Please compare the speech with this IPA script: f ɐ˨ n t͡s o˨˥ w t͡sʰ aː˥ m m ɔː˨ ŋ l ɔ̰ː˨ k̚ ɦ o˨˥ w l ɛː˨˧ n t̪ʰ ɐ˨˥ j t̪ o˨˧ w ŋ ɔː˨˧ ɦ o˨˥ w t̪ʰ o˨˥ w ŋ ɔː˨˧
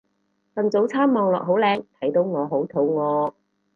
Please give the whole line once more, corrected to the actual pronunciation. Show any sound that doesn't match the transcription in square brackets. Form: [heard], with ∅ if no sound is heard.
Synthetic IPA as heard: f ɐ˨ n t͡s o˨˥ w t͡sʰ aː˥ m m ɔː˨ ŋ l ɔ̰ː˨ k̚ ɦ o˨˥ w l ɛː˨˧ [ŋ] t̪ʰ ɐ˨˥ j t̪ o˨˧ w ŋ ɔː˨˧ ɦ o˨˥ w t̪ʰ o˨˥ w ŋ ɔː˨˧